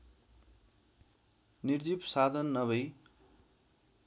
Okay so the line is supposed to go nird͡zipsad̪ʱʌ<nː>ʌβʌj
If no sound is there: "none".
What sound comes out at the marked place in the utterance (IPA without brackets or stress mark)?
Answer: nː